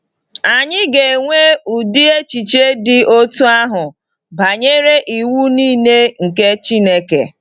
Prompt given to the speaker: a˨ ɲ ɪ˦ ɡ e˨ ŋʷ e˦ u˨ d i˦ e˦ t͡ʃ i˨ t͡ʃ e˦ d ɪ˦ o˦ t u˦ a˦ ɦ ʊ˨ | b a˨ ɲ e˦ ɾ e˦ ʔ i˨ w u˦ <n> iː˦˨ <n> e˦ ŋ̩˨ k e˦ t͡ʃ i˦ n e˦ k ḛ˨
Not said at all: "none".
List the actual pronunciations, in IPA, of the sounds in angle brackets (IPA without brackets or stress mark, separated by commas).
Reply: n, n